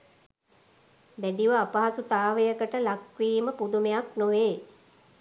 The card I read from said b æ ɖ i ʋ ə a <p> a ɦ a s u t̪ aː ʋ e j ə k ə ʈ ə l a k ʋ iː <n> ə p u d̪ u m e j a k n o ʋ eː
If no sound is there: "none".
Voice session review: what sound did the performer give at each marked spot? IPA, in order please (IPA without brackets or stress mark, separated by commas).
p, m